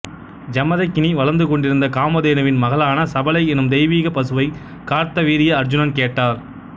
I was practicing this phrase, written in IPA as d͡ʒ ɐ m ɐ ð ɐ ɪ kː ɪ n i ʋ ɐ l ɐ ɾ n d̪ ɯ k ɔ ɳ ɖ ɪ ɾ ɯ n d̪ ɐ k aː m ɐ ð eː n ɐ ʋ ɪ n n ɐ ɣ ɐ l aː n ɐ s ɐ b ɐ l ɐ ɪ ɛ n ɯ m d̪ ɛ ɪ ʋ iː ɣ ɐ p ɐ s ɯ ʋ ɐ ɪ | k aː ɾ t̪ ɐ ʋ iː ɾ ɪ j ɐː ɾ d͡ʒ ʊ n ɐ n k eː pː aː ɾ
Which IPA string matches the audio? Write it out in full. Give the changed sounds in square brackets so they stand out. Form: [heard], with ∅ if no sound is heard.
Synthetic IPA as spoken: d͡ʒ ɐ m ɐ ð ɐ ɪ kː ɪ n i ʋ ɐ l ɐ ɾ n d̪ ɯ k ɔ ɳ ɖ ɪ ɾ ɯ n d̪ ɐ k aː m ɐ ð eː n ɐ ʋ ɪ n [m] ɐ ɣ ɐ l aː n ɐ s ɐ b ɐ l ɐ ɪ ɛ n ɯ m d̪ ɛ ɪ ʋ iː ɣ ɐ p ɐ s ɯ ʋ ɐ ɪ | k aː ɾ t̪ ɐ ʋ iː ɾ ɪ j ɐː ɾ d͡ʒ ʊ n ɐ n k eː [ʈː] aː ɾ

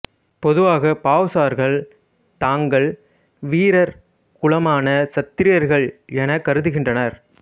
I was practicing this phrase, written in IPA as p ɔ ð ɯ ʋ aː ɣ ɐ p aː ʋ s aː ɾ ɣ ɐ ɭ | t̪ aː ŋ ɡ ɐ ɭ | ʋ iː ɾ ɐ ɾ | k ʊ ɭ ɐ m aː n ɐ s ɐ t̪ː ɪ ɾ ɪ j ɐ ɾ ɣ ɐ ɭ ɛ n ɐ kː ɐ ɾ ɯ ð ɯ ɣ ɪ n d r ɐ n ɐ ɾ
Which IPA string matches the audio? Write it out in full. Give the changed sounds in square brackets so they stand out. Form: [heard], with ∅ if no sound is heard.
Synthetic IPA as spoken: p ɔ ð ɯ ʋ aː ɣ ɐ p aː ʋ s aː ɾ ɣ ɐ ɭ | t̪ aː ŋ ɡ ɐ ɭ | ʋ iː ɾ ɐ ɾ | k ʊ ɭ ɐ m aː n ɐ s ɐ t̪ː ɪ ɾ ɪ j ɐ ɾ ɣ ɐ ɭ ɛ n ɐ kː ɐ ɾ ɯ ð ɯ ɣ ɪ n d r ɐ n ɐ ɾ

